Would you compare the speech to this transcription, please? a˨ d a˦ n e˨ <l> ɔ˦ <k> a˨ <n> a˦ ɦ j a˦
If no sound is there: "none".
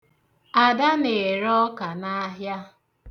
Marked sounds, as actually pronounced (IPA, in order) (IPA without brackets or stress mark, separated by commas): ɾ, k, n